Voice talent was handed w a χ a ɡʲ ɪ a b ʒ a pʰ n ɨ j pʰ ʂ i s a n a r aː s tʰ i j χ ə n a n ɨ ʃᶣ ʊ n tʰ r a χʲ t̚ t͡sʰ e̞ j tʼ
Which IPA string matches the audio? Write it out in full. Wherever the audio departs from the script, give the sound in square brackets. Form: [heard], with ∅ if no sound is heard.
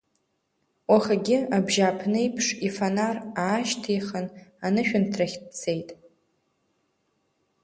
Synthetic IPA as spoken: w a χ a ɡʲ ɪ a b ʒ a pʰ n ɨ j pʰ ʂ i [f] a n a r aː [ʃ] tʰ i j χ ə n a n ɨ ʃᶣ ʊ n tʰ r a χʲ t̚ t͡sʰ e̞ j tʼ